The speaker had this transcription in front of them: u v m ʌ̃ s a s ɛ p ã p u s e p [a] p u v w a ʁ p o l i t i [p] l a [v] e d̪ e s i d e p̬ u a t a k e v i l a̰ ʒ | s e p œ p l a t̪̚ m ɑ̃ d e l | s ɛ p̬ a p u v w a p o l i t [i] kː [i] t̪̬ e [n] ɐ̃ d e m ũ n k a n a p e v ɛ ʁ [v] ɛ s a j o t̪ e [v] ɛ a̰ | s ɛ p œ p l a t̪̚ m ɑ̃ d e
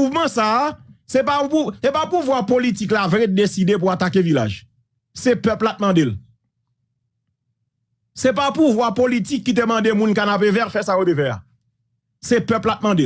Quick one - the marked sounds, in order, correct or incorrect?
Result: correct, incorrect: k, correct, correct, correct, incorrect: m, incorrect: f, correct

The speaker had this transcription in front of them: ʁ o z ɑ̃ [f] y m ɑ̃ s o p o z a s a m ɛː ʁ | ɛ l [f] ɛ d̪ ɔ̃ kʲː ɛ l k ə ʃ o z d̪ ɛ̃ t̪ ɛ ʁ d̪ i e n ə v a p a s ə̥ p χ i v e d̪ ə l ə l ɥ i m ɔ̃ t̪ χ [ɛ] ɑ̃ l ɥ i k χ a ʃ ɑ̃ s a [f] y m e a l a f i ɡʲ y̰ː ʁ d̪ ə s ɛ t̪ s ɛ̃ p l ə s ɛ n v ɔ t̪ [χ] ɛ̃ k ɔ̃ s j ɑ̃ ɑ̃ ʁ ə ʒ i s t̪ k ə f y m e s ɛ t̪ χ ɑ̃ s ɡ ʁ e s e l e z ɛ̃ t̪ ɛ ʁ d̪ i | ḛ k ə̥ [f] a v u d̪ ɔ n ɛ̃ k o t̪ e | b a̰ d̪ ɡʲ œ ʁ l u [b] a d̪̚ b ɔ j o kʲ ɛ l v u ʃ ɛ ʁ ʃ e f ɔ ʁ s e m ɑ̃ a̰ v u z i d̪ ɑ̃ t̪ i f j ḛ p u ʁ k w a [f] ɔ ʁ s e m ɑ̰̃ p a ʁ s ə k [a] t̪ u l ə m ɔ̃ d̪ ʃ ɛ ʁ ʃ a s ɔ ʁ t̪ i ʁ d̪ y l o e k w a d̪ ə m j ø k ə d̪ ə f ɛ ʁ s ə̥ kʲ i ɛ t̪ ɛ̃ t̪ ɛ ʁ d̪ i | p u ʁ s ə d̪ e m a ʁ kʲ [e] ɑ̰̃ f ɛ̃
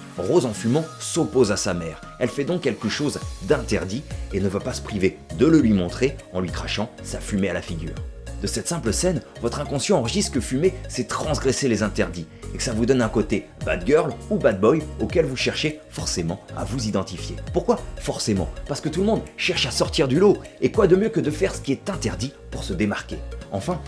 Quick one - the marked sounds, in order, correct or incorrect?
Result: correct, correct, incorrect: e, correct, correct, incorrect: s, correct, correct, incorrect: ə, correct

